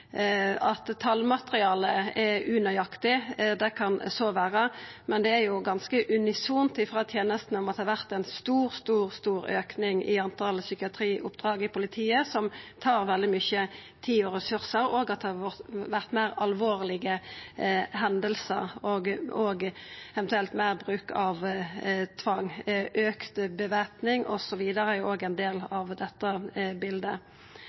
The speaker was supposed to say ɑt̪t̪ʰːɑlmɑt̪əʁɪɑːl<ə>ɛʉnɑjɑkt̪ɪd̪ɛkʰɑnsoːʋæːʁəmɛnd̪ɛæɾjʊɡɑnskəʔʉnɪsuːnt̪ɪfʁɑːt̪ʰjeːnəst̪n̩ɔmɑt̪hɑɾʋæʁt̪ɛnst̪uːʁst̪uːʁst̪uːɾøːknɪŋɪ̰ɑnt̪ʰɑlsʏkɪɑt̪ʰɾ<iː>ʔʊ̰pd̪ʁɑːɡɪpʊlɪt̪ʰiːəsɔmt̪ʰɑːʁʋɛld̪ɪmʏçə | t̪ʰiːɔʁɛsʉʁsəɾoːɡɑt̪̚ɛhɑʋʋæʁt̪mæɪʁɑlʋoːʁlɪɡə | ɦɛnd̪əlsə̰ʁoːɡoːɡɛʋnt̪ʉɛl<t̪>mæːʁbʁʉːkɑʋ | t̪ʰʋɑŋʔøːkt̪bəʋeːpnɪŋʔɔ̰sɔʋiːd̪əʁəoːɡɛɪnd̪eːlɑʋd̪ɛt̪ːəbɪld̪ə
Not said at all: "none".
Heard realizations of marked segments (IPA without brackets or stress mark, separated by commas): ə, iː, t̪